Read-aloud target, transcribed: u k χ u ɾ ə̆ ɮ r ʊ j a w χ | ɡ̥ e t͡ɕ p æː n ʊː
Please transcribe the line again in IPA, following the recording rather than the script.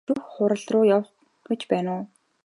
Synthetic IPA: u x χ ʊ ɾ ə̆ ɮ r ʊː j a w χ | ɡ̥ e t͡ɕ p æː n ʊː